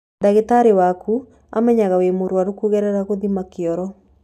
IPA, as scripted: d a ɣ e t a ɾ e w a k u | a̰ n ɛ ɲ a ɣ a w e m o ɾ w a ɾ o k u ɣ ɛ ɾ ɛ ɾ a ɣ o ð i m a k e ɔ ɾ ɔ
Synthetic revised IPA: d a ɣ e t a ɾ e w a k u | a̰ m ɛ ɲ a ɣ a w e m o ɾ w a ɾ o k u ɣ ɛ ɾ ɛ ɾ a ɣ o ð i m a k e ɔ ɾ ɔ